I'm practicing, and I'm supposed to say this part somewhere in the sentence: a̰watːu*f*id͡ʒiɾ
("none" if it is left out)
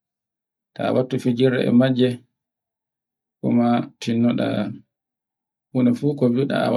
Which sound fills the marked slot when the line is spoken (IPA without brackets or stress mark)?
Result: f